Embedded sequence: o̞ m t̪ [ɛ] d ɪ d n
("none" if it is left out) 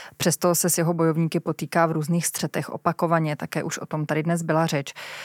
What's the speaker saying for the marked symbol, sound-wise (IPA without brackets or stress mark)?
a